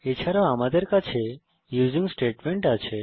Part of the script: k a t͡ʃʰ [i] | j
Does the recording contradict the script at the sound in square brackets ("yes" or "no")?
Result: yes